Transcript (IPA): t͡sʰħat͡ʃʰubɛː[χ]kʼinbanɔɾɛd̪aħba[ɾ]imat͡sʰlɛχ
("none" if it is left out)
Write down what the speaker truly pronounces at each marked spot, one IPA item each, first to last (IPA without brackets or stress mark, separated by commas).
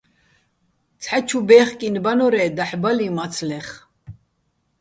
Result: χ, l